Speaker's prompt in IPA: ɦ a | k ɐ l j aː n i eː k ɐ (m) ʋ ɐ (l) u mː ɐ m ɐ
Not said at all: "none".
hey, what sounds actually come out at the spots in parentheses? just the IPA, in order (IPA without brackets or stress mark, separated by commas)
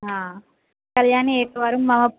none, ɾ